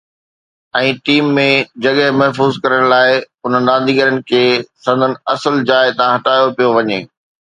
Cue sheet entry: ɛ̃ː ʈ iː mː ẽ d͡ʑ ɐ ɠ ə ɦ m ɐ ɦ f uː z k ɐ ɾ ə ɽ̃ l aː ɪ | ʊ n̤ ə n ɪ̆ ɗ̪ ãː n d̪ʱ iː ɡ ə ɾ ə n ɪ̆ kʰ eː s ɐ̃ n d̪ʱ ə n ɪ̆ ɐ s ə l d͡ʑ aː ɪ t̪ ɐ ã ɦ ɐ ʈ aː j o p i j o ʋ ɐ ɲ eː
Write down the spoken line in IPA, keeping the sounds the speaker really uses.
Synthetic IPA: ɛ̃ː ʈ iː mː ẽ d͡ʑ ɐ ɠ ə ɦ m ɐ ɦ f uː z k ɐ ɾ ə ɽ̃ l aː ɪ | ʊ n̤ ə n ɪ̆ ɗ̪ ãː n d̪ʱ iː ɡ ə ɾ ə n ɪ̆ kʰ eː s ɐ̃ n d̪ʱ ə n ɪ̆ ɐ s ə l d͡ʑ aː ɪ t̪ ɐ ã ɦ ɐ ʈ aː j o p i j o ʋ ɐ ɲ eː